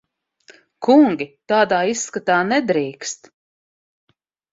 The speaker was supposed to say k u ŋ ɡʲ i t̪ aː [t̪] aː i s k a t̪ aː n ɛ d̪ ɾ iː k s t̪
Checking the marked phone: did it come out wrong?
yes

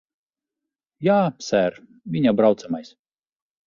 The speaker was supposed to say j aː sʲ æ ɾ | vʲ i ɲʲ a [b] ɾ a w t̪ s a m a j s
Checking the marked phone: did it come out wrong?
no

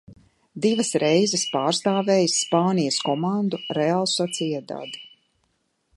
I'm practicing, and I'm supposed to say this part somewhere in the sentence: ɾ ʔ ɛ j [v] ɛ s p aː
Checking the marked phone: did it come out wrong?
yes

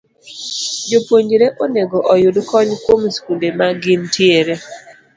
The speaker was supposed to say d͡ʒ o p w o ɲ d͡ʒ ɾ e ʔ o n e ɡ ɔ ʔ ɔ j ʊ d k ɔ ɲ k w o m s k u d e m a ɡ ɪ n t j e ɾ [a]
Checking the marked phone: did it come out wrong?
yes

